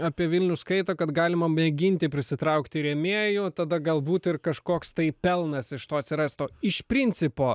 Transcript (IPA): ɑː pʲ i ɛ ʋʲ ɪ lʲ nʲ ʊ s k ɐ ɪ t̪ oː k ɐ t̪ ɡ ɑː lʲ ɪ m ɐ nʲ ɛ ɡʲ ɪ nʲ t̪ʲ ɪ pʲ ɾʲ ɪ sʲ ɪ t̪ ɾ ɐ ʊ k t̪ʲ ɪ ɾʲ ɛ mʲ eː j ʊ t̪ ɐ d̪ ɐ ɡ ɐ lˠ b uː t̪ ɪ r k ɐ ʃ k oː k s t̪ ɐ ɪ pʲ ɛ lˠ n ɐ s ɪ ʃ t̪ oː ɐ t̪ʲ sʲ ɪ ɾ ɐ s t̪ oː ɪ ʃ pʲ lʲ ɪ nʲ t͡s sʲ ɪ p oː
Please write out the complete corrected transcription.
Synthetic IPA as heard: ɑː pʲ i ɛ ʋʲ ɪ lʲ nʲ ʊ s k ɐ ɪ t̪ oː k ɐ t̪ ɡ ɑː lʲ ɪ m ɐ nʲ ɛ ɡʲ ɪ nʲ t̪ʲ ɪ pʲ ɾʲ ɪ sʲ ɪ t̪ ɾ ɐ ʊ k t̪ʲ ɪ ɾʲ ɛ mʲ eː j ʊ t̪ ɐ d̪ ɐ ɡ ɐ lˠ b uː t̪ ɪ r k ɐ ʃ k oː k s t̪ ɐ ɪ pʲ ɛ lˠ n ɐ s ɪ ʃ t̪ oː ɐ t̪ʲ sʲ ɪ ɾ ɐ s t̪ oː ɪ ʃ pʲ ɾʲ ɪ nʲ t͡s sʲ ɪ p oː